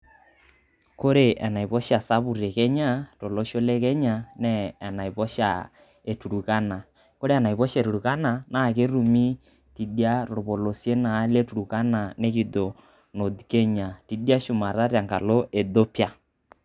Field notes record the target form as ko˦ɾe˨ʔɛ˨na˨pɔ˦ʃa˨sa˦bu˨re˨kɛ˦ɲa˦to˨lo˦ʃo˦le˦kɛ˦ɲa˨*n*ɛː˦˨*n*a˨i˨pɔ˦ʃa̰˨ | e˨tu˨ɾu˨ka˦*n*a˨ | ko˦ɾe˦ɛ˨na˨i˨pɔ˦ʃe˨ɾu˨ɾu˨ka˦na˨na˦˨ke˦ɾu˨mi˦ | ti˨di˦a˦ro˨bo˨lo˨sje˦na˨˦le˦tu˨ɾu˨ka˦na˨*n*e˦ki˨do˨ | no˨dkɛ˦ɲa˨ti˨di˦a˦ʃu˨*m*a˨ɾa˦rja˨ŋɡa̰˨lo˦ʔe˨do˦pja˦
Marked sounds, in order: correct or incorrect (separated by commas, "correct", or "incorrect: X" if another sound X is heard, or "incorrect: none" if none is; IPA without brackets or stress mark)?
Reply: correct, correct, correct, correct, correct